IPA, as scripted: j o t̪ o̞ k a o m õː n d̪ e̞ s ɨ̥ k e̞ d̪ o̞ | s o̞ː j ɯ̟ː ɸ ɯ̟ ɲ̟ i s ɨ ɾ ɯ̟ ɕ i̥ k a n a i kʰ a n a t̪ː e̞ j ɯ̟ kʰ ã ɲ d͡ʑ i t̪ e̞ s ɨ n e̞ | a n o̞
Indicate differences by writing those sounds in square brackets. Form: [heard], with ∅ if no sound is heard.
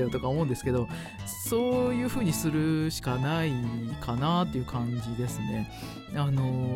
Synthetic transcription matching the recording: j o t̪ o̞ k a o m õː n d̪ e̞ s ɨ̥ k e̞ d̪ o̞ | s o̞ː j ɯ̟ː ɸ [ɯ̟ː] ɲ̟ i s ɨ ɾ ɯ̟ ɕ i̥ k a n a i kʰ a n a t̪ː e̞ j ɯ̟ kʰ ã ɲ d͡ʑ i [d̪] e̞ s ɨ n e̞ | a n o̞